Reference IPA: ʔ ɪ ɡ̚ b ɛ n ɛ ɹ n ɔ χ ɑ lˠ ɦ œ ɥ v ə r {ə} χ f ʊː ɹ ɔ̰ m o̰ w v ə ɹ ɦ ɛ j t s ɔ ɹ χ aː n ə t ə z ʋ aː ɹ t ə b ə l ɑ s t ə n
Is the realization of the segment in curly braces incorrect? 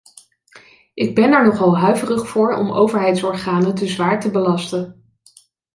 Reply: no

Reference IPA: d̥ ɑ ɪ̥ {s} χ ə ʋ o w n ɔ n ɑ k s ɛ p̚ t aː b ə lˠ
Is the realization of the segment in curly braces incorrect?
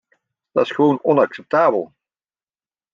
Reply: no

